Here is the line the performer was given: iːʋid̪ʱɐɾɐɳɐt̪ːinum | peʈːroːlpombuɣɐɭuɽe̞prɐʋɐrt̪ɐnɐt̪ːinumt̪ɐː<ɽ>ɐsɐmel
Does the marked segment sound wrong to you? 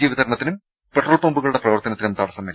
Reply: no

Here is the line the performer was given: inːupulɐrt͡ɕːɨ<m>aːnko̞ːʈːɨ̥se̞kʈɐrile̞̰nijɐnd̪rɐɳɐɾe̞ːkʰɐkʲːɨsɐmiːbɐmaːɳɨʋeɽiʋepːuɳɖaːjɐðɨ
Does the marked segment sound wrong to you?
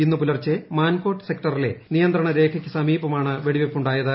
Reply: no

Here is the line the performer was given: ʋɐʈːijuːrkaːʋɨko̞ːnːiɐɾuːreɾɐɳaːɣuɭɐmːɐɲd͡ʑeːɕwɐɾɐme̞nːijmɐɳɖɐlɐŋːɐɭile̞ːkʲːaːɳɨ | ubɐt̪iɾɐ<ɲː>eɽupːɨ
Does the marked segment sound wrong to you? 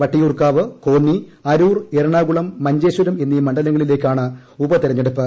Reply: no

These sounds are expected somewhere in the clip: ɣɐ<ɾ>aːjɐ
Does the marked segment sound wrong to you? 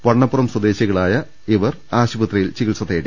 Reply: yes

